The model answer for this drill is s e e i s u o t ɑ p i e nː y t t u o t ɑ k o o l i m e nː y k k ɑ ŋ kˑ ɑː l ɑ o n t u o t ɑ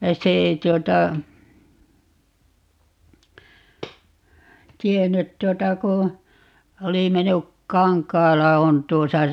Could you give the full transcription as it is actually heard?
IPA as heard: s e e i t u o t ɑ t i e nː y t t u o t ɑ k u o l i m e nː y k k ɑ ŋ kˑ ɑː l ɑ o n t u o s ɑ